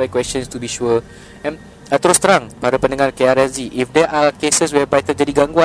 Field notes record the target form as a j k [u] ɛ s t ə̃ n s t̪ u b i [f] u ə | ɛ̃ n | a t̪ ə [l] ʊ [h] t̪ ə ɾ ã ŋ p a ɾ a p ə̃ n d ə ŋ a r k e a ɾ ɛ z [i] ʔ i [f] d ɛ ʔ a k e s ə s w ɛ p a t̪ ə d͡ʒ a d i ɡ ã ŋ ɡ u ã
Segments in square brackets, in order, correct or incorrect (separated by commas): incorrect, incorrect, incorrect, incorrect, correct, correct